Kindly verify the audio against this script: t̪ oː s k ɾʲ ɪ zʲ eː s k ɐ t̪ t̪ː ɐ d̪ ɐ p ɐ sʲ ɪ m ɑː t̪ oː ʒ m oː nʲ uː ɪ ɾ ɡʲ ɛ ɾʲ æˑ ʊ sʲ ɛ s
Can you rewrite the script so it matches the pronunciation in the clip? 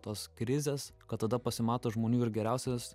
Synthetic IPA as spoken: t̪ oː s k ɾʲ ɪ zʲ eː s k ɐ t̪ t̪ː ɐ d̪ ɐ p ɐ sʲ ɪ m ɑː t̪ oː ʒ m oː nʲ uː ɪ ɾ ɡʲ ɛ ɾʲ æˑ ʊ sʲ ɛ s